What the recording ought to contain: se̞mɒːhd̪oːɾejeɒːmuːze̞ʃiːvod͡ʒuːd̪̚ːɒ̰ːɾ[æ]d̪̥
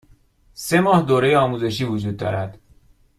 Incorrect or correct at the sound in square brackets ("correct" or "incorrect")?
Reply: correct